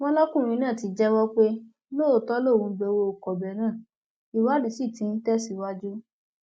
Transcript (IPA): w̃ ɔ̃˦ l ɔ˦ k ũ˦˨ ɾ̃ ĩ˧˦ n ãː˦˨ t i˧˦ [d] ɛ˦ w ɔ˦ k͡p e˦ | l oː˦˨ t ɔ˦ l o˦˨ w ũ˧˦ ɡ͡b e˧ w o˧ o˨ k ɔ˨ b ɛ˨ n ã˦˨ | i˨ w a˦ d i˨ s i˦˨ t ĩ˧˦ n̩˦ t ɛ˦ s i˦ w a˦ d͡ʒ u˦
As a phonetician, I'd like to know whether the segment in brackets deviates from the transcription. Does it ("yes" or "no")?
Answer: yes